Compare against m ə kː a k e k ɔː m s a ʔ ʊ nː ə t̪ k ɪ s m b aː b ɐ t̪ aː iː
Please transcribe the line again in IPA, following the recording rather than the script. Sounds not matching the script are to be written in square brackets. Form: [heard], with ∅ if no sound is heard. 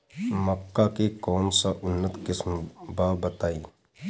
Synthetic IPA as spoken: m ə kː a k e k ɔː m s a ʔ ʊ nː ə t̪ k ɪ s m b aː b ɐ t̪ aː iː